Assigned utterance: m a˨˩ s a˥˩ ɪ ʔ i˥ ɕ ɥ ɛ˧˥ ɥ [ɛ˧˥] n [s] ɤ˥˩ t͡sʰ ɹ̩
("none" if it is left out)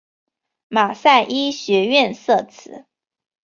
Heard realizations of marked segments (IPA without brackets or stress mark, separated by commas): ɛ˥˧, s